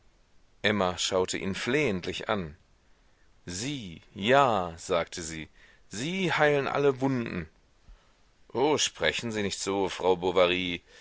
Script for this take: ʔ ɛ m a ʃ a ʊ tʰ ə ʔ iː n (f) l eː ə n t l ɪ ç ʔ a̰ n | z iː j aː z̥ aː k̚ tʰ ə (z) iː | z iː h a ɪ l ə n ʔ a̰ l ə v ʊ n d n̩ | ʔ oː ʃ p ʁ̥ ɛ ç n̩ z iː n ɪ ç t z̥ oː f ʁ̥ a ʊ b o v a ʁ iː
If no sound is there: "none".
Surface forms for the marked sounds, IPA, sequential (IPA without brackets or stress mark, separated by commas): f, z